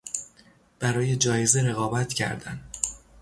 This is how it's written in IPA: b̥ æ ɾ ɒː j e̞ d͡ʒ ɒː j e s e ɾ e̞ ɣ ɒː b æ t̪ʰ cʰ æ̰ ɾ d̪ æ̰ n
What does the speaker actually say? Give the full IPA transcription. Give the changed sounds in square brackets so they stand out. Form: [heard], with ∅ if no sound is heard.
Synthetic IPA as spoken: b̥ æ ɾ ɒː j e̞ d͡ʒ ɒː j e [z] e ɾ e̞ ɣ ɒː b æ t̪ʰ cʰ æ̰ ɾ d̪ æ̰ n